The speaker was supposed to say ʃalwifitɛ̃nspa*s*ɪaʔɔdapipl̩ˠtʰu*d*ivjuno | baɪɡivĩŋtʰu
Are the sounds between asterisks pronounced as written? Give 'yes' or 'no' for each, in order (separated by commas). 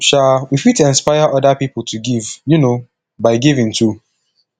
no, no